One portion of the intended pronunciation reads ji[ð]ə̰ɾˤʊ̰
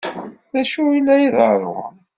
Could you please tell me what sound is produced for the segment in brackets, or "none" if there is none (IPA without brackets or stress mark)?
ð